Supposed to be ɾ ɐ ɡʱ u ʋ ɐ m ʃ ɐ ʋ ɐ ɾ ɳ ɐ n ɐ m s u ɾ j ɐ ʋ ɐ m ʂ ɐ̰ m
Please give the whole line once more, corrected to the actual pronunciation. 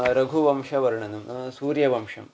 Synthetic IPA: ɾ ɐ ɡʱ u ʋ ɐ m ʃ ɐ ʋ ɐ ɾ ɳ ɐ n ɐ m s uː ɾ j ɐ ʋ ɐ m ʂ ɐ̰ m